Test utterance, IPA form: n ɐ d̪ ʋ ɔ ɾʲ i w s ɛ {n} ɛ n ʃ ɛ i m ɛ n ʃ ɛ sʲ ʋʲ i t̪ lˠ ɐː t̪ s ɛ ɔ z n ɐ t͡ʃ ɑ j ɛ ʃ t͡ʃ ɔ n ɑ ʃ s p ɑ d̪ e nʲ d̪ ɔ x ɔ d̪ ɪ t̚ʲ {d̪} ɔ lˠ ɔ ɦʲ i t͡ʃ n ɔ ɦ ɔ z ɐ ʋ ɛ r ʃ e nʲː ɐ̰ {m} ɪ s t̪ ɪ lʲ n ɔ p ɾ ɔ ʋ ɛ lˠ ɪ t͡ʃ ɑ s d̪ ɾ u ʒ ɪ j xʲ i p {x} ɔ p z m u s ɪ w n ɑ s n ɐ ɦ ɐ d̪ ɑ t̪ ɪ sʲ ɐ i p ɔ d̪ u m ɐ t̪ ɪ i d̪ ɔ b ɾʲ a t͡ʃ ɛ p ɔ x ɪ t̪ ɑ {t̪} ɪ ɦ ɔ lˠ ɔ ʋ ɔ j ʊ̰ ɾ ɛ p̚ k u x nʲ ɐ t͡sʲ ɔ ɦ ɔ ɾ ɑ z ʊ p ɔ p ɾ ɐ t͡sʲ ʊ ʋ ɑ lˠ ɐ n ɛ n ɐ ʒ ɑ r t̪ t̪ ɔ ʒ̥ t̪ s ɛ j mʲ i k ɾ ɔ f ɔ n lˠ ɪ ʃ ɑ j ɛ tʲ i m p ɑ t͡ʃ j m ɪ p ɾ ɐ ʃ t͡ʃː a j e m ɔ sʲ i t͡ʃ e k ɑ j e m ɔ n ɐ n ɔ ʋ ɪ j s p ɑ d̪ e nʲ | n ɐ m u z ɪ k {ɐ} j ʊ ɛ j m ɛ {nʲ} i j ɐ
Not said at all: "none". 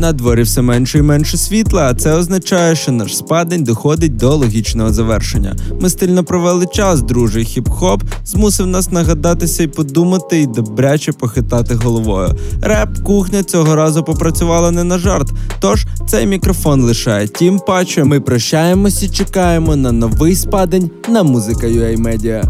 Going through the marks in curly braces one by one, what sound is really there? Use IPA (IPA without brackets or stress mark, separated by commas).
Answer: m, d̪, m, x, t̪, ɐ, dʲ